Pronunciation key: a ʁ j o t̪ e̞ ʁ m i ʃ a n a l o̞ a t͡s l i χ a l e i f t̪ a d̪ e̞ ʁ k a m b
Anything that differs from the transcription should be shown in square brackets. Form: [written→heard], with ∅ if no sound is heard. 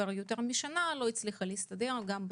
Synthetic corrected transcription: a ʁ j o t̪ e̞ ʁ m i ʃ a n a l o̞ [a→i] t͡s l i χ a l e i [f→s] t̪ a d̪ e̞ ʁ [k→ɡ] a m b